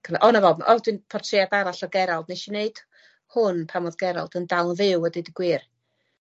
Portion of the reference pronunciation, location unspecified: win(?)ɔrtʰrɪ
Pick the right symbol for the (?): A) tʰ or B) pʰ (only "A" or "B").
B